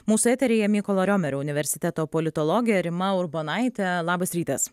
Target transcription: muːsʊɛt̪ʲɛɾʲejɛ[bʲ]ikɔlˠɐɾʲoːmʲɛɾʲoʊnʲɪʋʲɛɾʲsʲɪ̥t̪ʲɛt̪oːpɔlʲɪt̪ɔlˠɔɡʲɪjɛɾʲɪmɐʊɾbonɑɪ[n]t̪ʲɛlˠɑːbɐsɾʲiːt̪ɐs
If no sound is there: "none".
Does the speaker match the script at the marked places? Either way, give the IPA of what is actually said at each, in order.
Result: mʲ, none

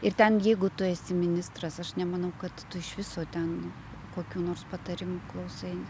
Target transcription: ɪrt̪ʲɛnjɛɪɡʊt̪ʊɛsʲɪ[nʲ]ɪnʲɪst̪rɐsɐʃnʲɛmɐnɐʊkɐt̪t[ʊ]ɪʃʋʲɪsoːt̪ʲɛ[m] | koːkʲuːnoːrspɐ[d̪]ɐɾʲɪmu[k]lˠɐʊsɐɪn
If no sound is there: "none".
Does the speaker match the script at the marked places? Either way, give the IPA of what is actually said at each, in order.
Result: mʲ, ʊ, n, t̪, k

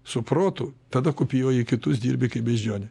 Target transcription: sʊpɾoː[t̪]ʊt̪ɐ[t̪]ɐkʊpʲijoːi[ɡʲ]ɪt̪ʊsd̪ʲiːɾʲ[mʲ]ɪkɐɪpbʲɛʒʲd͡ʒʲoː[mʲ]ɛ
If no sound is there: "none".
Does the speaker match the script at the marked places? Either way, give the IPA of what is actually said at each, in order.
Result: t̪, d̪, kʲ, bʲ, nʲ

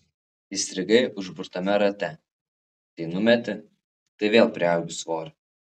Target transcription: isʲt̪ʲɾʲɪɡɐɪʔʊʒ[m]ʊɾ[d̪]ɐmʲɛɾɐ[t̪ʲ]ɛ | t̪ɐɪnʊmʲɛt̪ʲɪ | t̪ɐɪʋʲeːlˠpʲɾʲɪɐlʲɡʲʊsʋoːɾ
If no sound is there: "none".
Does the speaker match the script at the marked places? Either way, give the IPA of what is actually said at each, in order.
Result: b, t̪, t̪ʲ

